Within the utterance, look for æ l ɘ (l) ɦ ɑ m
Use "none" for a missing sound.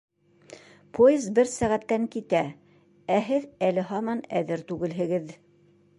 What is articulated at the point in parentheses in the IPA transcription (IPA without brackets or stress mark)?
none